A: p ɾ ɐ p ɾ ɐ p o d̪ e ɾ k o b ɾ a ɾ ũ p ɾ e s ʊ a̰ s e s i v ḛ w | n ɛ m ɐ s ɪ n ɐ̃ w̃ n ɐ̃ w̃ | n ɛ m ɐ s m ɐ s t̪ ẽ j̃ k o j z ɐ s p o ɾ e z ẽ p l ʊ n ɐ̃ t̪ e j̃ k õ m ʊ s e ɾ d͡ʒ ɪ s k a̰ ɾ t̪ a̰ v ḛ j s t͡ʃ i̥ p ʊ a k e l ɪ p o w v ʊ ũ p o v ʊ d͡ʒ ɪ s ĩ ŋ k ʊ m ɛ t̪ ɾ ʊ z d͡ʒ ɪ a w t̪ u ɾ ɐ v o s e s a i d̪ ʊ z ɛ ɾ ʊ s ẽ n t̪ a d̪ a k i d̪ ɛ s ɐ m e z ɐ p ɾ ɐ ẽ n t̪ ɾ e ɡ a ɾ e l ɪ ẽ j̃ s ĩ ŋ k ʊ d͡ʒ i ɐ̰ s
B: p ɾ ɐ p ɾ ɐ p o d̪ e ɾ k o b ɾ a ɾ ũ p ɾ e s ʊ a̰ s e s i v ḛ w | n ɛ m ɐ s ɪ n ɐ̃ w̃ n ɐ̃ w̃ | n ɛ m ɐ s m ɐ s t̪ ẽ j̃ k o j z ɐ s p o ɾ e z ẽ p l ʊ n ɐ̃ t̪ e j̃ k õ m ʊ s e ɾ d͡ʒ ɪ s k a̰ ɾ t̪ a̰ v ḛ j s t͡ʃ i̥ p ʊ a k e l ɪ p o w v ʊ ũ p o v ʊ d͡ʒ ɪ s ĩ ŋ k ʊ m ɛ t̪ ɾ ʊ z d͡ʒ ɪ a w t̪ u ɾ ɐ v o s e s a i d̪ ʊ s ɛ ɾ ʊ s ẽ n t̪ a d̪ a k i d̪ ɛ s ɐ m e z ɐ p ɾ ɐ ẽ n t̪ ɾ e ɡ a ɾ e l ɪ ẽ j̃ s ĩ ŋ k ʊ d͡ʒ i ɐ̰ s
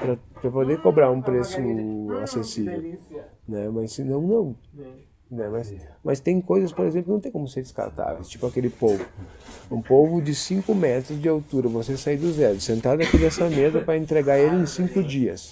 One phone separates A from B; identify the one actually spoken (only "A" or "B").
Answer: A